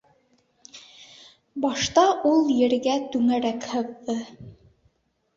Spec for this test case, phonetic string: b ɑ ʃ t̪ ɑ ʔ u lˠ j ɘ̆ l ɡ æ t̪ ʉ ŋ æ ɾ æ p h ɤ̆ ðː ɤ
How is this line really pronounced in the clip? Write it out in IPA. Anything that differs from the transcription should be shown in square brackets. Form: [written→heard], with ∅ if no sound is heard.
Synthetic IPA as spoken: b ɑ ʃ t̪ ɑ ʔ u lˠ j ɘ̆ [l→ɾ] ɡ æ t̪ ʉ ŋ æ ɾ æ [p→k] h ɤ̆ ðː ɤ